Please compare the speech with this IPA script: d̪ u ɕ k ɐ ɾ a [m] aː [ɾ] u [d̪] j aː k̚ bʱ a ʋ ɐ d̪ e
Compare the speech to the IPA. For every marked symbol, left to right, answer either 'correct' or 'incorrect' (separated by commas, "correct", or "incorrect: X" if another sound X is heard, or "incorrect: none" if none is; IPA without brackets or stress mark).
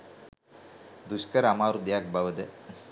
correct, correct, correct